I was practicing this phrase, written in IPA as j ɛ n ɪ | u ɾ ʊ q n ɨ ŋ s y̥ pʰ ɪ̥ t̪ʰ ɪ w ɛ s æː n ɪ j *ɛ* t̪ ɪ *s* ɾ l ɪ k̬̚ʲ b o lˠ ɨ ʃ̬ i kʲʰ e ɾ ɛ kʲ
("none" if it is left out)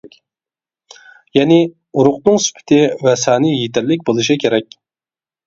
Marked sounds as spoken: e, none

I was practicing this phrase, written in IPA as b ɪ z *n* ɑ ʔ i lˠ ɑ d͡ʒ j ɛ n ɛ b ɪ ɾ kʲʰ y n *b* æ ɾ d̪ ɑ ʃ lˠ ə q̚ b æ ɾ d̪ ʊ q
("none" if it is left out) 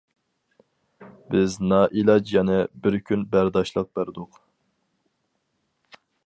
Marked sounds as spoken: n, b

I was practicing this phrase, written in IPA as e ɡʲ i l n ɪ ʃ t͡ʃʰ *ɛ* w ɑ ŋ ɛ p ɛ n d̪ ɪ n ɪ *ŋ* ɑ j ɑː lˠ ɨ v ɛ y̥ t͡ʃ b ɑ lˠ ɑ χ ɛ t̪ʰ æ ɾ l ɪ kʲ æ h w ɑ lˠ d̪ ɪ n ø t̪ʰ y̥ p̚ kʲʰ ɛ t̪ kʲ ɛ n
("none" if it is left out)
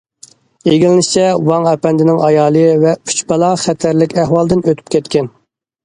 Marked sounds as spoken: ɛ, ŋ

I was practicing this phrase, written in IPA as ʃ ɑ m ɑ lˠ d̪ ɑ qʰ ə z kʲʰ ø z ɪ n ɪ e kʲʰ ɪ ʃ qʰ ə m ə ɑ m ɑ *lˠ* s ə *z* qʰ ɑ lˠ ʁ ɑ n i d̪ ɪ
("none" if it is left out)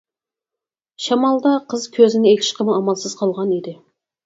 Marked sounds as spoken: lˠ, z

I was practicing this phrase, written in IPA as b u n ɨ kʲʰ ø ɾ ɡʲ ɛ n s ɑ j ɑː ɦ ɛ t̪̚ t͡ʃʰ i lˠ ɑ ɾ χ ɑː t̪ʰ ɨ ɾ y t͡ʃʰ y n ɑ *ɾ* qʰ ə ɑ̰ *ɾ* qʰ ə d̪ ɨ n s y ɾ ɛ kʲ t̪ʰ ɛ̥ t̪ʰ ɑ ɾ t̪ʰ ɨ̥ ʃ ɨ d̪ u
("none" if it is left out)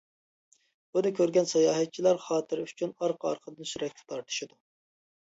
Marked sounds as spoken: ɾ, ɾ

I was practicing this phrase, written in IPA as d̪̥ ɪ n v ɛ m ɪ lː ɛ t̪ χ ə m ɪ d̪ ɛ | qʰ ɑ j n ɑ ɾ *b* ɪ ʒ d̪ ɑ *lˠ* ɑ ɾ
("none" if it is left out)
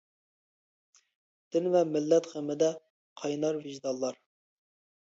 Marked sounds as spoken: v, lˠː

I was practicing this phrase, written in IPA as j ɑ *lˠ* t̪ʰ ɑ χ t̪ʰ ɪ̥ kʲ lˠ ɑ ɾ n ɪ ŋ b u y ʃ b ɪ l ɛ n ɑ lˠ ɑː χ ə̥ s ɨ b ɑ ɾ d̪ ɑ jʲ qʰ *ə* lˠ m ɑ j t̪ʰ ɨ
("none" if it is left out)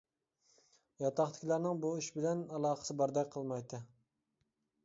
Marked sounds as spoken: none, ə

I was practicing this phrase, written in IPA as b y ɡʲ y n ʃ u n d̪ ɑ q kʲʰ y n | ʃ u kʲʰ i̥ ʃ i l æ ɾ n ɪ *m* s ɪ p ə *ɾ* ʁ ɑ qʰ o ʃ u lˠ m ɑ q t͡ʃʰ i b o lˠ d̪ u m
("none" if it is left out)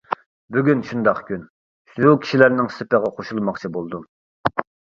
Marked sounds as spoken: ŋ, none

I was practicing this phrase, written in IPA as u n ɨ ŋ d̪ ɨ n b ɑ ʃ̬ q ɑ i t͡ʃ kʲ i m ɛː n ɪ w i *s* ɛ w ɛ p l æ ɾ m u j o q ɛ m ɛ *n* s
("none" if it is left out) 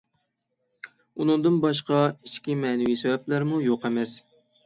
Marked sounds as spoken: s, none

